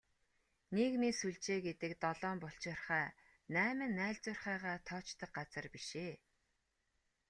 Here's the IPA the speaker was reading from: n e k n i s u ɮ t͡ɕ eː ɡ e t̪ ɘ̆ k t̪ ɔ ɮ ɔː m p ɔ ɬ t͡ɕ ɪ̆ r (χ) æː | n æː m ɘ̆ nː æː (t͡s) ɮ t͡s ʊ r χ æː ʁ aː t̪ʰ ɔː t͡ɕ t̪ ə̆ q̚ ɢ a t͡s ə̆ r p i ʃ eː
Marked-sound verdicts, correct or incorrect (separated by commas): correct, incorrect